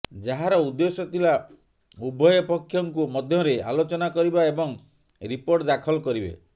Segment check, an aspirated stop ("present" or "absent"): present